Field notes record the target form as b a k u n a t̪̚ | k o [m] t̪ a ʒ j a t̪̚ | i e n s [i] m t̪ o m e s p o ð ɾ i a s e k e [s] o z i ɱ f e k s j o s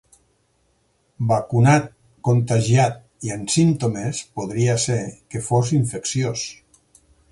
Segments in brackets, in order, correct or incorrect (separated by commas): incorrect, correct, incorrect